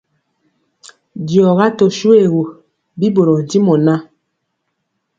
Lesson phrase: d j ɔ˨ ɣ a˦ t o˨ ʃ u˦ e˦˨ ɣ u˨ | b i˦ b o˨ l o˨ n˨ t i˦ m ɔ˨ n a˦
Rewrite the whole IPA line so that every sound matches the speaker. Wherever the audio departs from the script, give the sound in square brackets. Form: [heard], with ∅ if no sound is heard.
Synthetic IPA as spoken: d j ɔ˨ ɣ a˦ t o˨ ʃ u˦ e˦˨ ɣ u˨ | b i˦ b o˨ [ɾ] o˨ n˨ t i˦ m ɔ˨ n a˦